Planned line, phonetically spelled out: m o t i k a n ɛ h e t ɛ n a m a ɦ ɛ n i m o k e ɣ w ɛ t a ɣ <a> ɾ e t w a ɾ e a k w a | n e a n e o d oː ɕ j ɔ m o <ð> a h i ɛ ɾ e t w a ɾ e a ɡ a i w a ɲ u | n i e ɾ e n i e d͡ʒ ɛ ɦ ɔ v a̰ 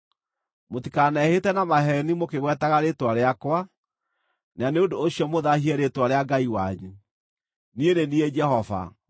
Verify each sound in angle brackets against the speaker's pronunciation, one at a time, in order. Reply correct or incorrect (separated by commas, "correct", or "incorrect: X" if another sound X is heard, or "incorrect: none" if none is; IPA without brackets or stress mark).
correct, correct